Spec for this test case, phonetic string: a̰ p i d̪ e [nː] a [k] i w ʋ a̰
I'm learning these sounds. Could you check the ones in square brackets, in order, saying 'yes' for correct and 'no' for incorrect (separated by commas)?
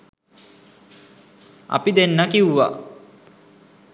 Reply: yes, yes